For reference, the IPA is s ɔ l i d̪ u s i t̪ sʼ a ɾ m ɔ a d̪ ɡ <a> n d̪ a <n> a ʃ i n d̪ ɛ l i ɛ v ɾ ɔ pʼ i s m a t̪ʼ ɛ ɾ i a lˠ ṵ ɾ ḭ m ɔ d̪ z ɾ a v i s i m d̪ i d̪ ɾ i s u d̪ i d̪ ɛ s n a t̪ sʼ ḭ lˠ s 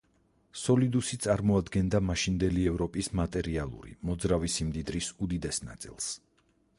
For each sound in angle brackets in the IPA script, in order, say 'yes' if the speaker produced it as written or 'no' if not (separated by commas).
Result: no, no